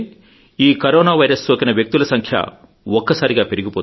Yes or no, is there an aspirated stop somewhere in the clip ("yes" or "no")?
yes